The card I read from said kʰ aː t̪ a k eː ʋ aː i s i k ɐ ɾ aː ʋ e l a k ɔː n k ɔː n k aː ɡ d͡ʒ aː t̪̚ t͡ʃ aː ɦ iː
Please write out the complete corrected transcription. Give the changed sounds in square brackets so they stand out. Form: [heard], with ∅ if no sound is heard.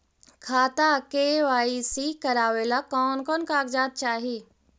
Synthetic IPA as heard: kʰ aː t̪ a k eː ʋ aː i s i k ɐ ɾ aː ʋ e l a k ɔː n k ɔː n k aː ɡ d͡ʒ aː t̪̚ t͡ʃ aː ɦ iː